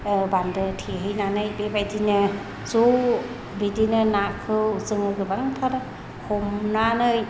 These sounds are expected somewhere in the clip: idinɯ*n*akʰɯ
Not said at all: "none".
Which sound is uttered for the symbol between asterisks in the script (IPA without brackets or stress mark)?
n